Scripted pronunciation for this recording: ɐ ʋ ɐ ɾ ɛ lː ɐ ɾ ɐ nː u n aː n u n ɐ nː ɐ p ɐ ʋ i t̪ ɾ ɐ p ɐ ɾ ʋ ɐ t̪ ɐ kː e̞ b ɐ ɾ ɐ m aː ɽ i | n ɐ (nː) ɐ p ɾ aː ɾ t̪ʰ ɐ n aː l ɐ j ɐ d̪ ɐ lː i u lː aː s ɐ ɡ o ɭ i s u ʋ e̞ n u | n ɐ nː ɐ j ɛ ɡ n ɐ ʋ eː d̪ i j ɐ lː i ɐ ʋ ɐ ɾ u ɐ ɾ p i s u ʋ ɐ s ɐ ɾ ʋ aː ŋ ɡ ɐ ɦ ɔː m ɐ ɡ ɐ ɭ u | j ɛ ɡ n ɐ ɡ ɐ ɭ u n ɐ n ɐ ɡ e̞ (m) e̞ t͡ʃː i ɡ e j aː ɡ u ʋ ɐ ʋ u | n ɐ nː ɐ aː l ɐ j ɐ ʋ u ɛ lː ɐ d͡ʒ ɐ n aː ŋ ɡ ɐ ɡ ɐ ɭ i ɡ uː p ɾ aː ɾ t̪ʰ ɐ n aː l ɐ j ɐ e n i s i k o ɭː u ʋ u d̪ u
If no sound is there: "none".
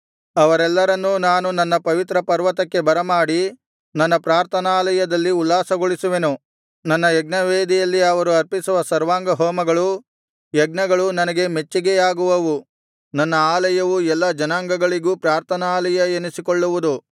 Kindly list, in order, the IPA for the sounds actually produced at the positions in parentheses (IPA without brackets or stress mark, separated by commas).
nː, m